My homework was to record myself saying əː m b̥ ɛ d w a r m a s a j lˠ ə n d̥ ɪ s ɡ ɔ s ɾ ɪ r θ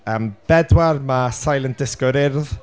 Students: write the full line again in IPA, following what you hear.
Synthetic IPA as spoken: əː m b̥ ɛ d w a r m a s a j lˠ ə n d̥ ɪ s k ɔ ɾ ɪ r ð